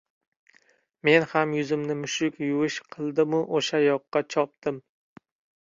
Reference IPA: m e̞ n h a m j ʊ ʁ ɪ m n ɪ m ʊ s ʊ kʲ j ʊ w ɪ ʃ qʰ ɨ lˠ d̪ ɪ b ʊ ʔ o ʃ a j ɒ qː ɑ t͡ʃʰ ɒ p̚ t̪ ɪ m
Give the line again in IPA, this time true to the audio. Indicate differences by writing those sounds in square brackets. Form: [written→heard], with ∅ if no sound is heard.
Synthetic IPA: m e̞ n h a m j ʊ [ʁ→z] ɪ m n ɪ m ʊ [s→ʃ] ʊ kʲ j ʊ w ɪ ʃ qʰ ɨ lˠ d̪ ɪ [b→m] ʊ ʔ o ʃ a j ɒ qː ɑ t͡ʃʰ ɒ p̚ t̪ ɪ m

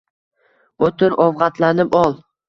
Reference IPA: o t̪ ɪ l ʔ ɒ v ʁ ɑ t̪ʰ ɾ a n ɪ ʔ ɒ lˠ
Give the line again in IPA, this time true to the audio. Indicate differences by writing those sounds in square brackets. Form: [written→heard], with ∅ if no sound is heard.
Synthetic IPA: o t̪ ɪ [l→ɾ] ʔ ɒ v ʁ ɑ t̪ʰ [ɾ→l] a n ɪ [ʔ→p] ɒ lˠ

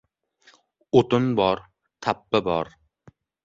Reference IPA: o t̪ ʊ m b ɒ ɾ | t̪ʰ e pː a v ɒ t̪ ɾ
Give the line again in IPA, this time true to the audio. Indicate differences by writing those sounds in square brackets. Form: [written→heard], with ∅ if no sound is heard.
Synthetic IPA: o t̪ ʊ [m→n] b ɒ ɾ | t̪ʰ [e→a] pː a [v→b] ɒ [t̪→∅] ɾ

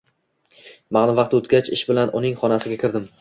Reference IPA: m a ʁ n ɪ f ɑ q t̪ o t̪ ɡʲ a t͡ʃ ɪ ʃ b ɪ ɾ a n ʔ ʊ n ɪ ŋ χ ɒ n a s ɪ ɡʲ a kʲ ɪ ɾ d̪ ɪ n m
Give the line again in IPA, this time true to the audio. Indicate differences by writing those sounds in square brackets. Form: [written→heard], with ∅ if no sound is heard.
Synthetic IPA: m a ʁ n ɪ [f→v] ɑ q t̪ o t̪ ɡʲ a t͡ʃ ɪ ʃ b ɪ [ɾ→l] a n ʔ ʊ n ɪ ŋ χ ɒ n a s ɪ ɡʲ a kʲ ɪ ɾ d̪ ɪ [n→∅] m

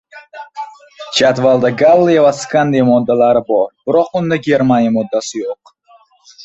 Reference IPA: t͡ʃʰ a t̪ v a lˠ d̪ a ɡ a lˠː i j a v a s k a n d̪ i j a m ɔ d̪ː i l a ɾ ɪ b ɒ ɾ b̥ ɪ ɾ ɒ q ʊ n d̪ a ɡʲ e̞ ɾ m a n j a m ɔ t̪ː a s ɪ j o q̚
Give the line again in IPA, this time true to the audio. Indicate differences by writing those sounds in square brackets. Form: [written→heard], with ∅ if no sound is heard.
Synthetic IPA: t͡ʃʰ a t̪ v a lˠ d̪ a ɡ a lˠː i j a v a s k a n d̪ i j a m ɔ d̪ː [i→a] l a ɾ ɪ b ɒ ɾ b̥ ɪ ɾ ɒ q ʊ n d̪ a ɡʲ e̞ ɾ m a n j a m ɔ [t̪ː→d̪ː] a s ɪ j o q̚

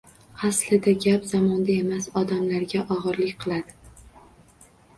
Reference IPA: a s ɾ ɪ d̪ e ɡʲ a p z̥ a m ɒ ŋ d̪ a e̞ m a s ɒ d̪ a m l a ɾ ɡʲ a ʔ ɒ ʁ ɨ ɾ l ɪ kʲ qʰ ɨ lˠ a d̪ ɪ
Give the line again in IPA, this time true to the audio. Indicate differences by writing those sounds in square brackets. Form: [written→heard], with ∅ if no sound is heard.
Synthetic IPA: a s [ɾ→l] ɪ d̪ [e→a] ɡʲ a p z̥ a m ɒ [ŋ→n] d̪ a e̞ m a s ɒ d̪ a m l a ɾ ɡʲ a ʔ ɒ ʁ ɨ ɾ l ɪ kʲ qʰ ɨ lˠ a d̪ ɪ

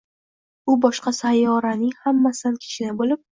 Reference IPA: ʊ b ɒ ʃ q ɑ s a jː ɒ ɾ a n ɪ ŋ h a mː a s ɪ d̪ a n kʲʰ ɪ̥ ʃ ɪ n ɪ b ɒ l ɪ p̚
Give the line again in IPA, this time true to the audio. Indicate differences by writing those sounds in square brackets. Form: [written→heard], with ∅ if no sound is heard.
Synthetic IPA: ʊ b ɒ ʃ q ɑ s a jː ɒ ɾ a n ɪ ŋ h a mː a s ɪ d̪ a n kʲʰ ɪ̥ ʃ ɪ n ɪ b [ɒ→o] l ɪ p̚

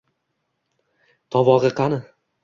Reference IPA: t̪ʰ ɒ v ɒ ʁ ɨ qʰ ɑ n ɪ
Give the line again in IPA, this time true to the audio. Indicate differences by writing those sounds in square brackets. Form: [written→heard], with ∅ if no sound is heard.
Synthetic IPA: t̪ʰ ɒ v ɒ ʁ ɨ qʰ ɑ n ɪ

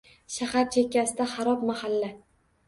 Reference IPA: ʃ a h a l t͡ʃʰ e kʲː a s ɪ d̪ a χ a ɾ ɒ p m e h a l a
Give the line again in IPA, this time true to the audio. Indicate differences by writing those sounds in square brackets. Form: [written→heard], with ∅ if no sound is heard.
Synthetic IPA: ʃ a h a [l→ɾ] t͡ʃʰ e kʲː a s ɪ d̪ a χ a ɾ ɒ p m [e→a] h a [l→lː] a

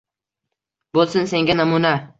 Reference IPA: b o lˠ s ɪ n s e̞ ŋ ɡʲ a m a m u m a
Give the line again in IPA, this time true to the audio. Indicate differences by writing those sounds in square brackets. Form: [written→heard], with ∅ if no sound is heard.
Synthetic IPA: b o lˠ s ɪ n s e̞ ŋ ɡʲ a [m→n] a m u [m→n] a

